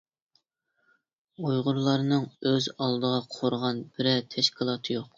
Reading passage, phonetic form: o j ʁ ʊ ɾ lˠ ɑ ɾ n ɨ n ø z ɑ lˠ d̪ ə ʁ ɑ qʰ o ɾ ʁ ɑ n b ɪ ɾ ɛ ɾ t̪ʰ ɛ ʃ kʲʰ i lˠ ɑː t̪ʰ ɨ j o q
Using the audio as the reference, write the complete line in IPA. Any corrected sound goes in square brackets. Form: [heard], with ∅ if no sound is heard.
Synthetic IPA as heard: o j ʁ ʊ ɾ lˠ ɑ ɾ n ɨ [ŋ] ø z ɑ lˠ d̪ ə ʁ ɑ qʰ o ɾ ʁ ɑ n b ɪ ɾ ɛ [∅] t̪ʰ ɛ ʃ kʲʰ i lˠ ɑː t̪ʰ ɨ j o q